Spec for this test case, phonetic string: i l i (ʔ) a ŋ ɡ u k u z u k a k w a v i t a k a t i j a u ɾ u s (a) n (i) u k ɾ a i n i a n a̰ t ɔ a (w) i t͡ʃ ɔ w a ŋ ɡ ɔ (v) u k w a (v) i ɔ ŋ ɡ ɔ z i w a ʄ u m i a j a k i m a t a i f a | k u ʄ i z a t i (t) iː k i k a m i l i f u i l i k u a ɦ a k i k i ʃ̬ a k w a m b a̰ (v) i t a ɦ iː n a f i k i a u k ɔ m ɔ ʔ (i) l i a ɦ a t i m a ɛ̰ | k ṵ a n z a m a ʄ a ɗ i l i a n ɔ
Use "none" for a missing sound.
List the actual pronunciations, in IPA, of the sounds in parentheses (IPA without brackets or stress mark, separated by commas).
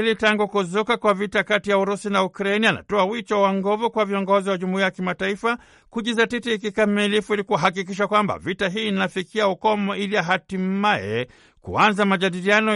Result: t, i, a, w, v, v, t, v, i